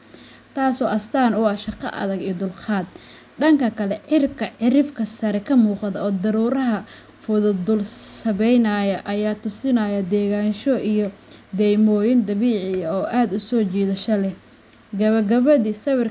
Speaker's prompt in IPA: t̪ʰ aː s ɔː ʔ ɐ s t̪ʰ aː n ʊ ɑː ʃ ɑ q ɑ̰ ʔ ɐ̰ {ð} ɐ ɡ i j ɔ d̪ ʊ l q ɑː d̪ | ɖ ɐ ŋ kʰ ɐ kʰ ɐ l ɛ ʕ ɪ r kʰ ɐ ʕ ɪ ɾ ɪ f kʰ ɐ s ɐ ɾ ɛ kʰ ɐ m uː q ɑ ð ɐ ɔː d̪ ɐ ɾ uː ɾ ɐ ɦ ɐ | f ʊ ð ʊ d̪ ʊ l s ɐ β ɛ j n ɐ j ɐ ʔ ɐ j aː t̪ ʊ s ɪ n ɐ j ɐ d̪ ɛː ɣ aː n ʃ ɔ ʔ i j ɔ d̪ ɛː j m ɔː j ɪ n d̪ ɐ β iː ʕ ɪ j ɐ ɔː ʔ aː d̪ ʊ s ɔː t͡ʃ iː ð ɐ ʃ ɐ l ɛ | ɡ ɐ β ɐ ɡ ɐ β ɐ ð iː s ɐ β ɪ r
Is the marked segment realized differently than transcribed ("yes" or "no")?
no